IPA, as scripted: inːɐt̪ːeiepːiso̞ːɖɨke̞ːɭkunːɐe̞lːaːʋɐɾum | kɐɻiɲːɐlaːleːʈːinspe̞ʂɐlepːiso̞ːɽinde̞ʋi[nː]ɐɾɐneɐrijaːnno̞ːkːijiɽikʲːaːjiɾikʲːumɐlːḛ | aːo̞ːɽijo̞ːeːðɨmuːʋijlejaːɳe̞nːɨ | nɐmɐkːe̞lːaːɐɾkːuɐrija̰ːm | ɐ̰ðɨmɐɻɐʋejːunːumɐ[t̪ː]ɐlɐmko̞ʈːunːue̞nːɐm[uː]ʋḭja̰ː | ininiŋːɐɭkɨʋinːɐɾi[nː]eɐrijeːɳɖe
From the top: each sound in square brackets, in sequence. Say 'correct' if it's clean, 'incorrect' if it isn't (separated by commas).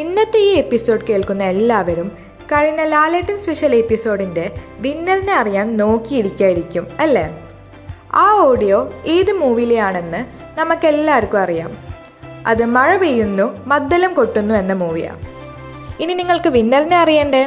correct, incorrect, correct, incorrect